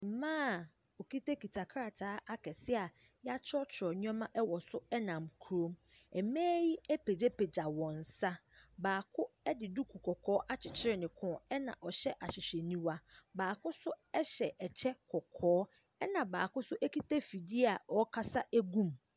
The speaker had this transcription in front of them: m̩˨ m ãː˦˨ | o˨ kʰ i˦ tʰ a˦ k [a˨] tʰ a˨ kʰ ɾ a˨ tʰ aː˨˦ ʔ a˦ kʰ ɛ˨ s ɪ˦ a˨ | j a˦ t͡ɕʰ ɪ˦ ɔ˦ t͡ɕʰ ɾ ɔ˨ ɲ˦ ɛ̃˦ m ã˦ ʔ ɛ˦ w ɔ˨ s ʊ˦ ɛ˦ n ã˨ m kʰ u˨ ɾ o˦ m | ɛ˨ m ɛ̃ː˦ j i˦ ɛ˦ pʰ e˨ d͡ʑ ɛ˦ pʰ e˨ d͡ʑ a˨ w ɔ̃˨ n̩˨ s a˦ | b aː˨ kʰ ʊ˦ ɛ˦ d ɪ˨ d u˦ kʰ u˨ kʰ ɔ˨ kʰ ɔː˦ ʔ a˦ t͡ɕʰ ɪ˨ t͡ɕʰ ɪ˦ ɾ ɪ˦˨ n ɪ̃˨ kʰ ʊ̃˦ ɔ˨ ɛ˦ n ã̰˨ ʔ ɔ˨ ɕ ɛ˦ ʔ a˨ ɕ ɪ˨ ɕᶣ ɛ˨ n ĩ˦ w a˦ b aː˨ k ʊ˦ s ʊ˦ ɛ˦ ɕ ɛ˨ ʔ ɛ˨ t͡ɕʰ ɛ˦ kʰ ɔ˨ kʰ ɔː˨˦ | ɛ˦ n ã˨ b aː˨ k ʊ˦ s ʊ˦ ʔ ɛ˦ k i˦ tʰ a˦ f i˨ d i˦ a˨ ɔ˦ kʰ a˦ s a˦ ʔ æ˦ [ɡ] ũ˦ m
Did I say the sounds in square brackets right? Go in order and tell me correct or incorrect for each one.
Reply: incorrect: i˨, correct

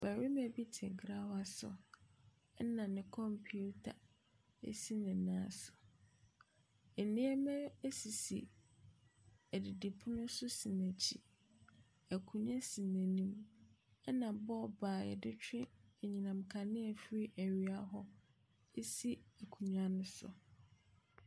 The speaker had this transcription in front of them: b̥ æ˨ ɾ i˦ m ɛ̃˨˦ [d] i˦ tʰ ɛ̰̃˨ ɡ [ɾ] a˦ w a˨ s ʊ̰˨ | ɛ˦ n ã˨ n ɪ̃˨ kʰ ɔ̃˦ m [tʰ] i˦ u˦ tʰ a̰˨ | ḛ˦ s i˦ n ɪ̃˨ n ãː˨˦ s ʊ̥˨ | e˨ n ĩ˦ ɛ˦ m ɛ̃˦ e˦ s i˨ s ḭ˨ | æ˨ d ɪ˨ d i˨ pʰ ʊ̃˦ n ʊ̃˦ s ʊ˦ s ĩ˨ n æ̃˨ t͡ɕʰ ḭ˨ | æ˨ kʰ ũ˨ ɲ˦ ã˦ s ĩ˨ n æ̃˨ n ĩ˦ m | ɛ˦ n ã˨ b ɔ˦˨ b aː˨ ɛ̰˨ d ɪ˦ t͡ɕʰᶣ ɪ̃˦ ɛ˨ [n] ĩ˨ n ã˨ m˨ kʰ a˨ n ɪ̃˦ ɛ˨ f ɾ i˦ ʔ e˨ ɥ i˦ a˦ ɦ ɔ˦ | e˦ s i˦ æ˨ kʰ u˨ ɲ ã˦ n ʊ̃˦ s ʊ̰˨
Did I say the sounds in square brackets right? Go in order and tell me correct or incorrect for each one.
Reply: incorrect: b, correct, incorrect: pʰ, incorrect: ɲ

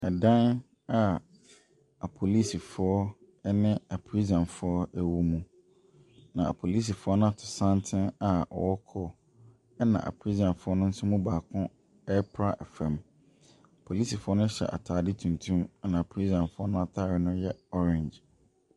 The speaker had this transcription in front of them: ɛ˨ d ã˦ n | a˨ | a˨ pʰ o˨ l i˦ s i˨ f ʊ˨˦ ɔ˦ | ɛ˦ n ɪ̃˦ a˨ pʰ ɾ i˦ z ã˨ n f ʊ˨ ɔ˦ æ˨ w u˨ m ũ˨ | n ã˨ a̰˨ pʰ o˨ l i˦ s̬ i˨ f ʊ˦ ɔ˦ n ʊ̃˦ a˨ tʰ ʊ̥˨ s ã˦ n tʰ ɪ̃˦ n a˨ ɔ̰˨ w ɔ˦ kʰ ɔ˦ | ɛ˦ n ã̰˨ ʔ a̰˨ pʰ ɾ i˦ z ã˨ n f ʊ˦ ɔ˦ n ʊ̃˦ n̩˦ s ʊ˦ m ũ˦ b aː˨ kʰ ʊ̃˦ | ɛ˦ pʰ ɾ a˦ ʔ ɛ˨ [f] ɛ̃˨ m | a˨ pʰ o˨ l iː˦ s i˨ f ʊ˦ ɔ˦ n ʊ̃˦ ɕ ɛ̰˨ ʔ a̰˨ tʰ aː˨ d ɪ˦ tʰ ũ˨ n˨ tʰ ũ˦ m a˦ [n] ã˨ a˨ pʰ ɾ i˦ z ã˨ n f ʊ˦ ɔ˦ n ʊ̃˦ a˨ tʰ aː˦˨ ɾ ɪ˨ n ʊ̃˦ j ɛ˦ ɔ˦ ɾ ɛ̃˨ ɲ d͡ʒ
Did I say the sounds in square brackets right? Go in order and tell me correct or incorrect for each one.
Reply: correct, correct

